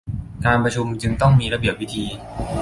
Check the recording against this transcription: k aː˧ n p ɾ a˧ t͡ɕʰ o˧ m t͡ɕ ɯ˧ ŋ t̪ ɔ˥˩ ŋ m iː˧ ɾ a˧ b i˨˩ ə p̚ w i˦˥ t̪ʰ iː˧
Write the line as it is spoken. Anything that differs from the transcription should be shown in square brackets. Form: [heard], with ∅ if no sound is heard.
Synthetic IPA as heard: k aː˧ n p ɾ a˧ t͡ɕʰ [u˧] m t͡ɕ ɯ˧ ŋ t̪ ɔ˥˩ ŋ m iː˧ ɾ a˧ b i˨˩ ə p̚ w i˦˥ t̪ʰ iː˧